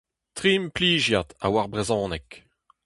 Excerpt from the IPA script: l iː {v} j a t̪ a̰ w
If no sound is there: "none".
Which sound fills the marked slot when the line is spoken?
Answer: ʒ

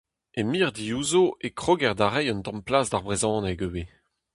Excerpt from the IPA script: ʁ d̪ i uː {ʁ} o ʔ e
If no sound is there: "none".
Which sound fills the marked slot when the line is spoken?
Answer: z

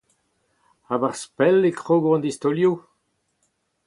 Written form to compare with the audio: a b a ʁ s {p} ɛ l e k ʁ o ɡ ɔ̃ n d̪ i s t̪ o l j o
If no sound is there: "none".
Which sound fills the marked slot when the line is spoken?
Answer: p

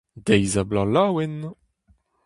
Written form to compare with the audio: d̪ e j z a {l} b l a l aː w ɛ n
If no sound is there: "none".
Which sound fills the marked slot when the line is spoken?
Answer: none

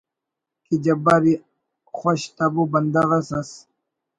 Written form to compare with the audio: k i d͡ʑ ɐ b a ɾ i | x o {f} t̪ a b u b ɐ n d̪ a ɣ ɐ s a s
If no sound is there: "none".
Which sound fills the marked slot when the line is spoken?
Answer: ɕ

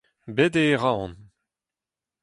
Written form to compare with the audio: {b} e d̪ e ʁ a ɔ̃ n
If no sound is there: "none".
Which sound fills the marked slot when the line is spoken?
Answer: b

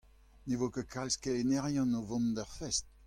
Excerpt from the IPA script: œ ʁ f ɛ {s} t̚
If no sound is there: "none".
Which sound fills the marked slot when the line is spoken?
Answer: s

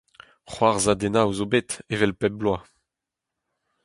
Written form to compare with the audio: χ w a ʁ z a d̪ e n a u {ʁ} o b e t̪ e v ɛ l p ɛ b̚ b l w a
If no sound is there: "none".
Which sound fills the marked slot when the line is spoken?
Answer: z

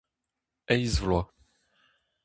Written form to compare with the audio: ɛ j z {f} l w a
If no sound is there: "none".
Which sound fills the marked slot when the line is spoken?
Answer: v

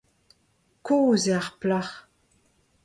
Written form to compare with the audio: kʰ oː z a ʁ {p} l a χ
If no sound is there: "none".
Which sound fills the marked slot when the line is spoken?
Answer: p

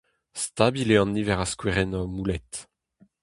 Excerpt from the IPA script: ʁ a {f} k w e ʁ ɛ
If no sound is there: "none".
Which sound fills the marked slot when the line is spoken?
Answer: s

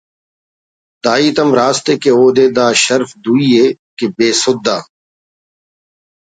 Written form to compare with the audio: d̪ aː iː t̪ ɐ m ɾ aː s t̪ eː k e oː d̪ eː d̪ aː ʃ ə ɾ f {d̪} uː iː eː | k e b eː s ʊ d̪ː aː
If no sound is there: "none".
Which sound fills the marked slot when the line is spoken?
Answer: d̪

